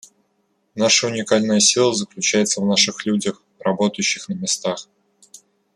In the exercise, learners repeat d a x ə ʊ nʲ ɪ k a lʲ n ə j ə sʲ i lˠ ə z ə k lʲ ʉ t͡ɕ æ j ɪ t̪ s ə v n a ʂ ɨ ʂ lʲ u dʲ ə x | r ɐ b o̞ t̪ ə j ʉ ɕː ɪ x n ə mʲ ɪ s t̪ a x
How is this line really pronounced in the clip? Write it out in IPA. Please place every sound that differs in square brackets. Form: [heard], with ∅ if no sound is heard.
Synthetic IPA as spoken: [n] a [ʂ] ə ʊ nʲ ɪ k a lʲ n ə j ə sʲ i lˠ ə z ə k lʲ ʉ t͡ɕ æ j ɪ t̪ s ə v n a ʂ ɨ [x] lʲ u dʲ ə x | r ɐ b o̞ t̪ ə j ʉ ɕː ɪ x n ə mʲ ɪ s t̪ a x